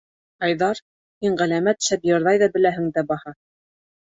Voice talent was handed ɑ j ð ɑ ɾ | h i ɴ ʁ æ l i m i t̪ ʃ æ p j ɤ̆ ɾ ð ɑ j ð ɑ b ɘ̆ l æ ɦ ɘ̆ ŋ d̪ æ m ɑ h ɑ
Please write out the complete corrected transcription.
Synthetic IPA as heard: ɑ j ð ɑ ɾ | h i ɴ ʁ æ l æ m æ t̪ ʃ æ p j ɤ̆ ɾ ð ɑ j ð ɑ b ɘ̆ l æ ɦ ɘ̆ ŋ d̪ æ b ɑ h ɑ